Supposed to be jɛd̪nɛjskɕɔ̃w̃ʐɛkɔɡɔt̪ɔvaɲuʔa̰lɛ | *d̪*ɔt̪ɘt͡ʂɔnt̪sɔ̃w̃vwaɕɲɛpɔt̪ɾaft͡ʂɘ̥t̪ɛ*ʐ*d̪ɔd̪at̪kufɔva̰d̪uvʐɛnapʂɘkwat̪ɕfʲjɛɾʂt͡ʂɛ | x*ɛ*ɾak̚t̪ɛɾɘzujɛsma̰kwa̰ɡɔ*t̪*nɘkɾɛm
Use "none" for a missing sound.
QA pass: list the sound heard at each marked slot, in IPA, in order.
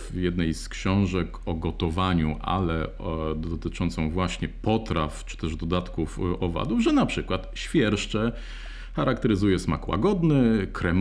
d̪, ʐ, a, d̪

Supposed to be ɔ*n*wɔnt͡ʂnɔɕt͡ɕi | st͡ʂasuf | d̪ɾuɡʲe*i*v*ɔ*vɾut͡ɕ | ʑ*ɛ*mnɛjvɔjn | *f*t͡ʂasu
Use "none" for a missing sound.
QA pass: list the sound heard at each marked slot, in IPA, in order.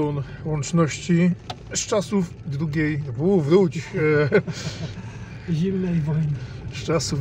n, j, u, i, s

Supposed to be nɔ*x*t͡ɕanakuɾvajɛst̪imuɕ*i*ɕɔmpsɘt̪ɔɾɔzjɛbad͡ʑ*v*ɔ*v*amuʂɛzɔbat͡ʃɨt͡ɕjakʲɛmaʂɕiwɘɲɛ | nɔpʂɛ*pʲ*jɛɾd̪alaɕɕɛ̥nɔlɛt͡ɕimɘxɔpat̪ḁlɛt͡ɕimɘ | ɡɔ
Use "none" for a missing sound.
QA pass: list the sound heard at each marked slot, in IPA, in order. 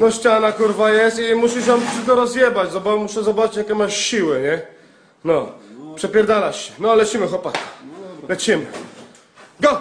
ɕ, i, z, b, pʲ

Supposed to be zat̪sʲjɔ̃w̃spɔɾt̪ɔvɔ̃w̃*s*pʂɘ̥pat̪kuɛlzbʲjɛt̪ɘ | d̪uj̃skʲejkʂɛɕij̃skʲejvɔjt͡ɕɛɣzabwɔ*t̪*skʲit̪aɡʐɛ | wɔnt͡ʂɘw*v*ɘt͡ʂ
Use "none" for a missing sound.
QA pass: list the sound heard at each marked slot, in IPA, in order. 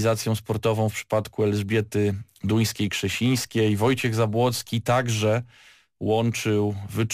f, t̪, v

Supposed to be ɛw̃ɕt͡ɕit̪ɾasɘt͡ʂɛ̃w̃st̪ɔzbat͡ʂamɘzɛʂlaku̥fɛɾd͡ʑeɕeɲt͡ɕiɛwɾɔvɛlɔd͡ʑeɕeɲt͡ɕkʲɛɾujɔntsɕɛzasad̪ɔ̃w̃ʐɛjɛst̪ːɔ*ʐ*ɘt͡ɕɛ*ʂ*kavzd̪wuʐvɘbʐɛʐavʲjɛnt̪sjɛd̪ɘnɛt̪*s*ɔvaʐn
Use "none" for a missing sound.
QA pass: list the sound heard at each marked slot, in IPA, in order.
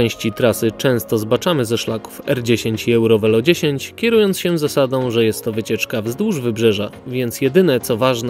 v, t͡ʂ, s

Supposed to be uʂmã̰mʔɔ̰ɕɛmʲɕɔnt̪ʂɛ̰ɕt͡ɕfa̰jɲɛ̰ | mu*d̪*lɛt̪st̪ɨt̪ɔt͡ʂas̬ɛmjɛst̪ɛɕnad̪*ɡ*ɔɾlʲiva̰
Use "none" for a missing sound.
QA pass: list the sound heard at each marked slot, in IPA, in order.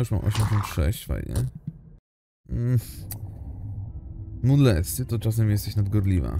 d̪, ɡ

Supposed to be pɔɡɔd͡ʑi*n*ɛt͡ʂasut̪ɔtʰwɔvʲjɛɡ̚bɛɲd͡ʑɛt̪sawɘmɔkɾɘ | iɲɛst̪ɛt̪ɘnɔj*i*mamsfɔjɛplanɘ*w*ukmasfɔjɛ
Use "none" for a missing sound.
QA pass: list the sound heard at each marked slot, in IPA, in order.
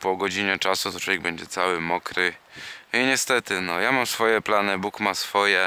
ɲ, a, b

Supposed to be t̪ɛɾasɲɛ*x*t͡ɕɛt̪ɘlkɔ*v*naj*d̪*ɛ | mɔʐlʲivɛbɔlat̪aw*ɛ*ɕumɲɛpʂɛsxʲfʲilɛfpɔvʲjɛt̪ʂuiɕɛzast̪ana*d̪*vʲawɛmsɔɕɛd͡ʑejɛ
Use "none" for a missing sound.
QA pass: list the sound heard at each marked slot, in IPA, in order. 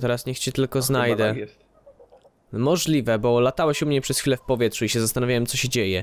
x, z, d̪, ɛ, none

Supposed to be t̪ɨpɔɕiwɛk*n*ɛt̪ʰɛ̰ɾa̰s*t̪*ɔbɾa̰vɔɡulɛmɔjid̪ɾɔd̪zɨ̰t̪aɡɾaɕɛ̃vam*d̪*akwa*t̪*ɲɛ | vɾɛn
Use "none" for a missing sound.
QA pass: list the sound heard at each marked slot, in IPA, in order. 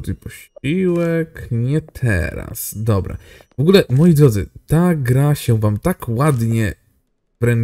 ɲ, d̪, t̪, d̪

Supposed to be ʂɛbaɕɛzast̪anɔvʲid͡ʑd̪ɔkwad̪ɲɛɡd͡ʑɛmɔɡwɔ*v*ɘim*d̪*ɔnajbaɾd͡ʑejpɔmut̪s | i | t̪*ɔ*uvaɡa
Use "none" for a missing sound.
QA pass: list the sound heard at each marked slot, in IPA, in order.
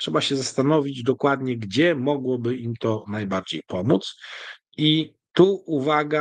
b, t̪, u

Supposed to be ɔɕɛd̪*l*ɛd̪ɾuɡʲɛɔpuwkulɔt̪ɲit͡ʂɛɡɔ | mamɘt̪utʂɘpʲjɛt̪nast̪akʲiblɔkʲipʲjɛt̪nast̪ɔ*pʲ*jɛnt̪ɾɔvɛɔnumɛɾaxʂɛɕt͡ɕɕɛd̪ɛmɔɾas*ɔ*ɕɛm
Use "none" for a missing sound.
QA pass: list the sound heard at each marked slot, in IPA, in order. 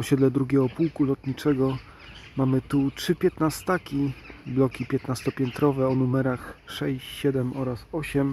l, pʲ, ɔ

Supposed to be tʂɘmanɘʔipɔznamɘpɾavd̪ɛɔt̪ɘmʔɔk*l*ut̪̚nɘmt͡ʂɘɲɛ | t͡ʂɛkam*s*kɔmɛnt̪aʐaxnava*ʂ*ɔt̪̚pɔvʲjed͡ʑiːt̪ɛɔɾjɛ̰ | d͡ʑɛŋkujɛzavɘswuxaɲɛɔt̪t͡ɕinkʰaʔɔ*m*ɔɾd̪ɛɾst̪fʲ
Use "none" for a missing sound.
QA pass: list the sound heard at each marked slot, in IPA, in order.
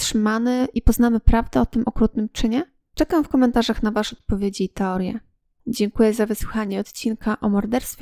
ɾ, f, ʂ, m

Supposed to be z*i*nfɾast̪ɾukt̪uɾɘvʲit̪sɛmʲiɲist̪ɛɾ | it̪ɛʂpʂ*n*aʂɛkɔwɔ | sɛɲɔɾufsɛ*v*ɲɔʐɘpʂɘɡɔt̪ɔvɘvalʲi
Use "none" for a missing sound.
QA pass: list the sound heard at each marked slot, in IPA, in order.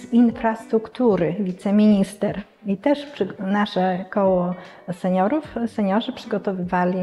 i, n, none

